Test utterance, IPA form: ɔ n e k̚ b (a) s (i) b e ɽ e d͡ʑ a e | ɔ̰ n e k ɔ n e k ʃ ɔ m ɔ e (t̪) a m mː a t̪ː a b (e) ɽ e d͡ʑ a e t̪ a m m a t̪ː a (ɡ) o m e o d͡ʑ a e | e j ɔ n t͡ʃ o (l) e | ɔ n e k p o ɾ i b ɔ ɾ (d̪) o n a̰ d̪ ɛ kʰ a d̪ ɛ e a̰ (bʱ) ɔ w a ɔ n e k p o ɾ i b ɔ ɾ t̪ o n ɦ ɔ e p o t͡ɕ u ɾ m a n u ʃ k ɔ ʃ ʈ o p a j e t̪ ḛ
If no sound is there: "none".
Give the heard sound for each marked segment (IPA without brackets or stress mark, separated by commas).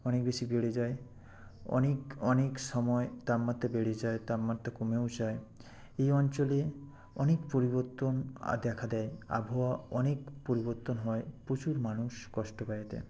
e, i, t̪, e, k, l, t̪, bʱ